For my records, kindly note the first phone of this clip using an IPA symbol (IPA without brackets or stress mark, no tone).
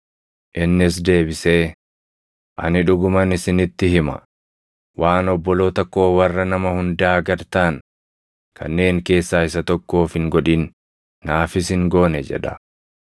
ʔ